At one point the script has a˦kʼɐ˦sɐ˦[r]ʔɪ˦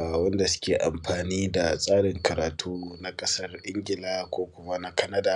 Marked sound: correct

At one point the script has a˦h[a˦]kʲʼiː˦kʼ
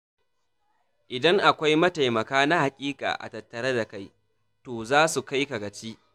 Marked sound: incorrect: a˨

